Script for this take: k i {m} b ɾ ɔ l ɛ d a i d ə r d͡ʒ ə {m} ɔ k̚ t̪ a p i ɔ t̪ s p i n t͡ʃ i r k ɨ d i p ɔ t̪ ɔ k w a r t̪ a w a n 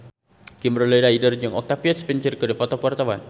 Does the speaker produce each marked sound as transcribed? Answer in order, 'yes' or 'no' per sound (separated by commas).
yes, no